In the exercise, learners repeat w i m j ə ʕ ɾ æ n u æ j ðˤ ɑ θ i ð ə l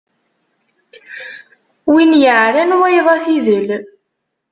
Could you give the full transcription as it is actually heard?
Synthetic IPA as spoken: w i n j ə ʕ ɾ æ n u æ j ðˤ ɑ θ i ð ə l